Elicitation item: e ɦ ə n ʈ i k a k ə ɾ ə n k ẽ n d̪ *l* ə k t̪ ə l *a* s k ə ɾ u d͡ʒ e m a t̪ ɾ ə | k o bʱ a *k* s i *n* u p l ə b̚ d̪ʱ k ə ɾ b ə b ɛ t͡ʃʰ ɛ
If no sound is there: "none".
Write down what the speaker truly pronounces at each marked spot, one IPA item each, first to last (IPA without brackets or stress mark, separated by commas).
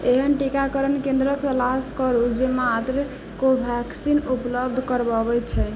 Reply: ɾ, a, k, n